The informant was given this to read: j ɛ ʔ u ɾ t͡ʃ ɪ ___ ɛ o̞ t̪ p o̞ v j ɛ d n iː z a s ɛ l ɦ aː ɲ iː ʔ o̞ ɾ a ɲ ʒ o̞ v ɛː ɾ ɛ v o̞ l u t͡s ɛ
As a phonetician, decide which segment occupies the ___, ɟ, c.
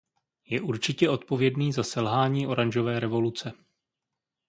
c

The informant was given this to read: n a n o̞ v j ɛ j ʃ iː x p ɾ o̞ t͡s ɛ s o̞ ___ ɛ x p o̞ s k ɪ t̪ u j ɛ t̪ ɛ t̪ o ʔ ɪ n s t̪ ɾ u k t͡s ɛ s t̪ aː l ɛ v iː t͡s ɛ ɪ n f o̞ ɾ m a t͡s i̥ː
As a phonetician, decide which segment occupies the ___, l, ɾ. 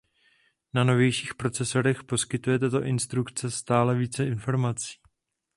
ɾ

